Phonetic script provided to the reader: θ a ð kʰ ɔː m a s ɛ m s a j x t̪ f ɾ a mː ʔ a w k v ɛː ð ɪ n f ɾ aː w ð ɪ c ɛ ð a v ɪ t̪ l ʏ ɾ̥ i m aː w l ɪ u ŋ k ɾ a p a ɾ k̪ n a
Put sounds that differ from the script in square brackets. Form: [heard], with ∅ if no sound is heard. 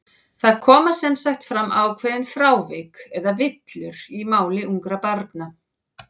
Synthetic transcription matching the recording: θ a ð kʰ ɔː m a s ɛ m s a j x t̪ f ɾ a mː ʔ a w [kʰ] v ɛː ð ɪ n f ɾ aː w [v] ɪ [k] ɛ ð a v ɪ t̪ l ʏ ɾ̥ i m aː w l ɪ u ŋ k ɾ a p a ɾ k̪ n a